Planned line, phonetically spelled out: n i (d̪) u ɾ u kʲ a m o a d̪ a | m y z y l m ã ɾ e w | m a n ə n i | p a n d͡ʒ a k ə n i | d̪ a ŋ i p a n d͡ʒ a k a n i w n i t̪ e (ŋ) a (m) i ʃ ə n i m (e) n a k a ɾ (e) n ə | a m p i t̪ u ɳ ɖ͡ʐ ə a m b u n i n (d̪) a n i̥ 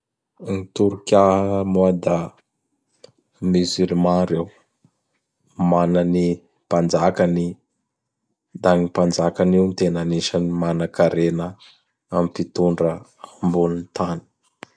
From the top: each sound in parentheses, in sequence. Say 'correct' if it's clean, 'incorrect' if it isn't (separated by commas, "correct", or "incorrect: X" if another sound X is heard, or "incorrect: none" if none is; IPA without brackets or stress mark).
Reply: incorrect: t̪, incorrect: n, incorrect: n, incorrect: a, correct, incorrect: t̪